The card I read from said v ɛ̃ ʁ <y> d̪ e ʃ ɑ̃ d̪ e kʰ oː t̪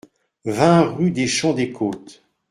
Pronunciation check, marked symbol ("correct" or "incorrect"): correct